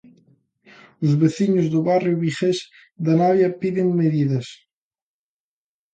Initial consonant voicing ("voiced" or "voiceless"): voiced